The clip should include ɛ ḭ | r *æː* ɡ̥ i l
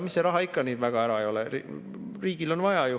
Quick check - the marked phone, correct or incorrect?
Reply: incorrect